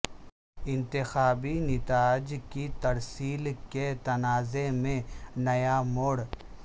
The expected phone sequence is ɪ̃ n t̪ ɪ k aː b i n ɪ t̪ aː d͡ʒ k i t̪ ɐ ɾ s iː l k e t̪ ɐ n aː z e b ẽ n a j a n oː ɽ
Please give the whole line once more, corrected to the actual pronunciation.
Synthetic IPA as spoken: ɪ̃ n t̪ ɪ x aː b i n ɪ t̪ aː d͡ʒ k i t̪ ɐ ɾ s iː l k e t̪ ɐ n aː z e m ẽ n ɐ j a m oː ɽ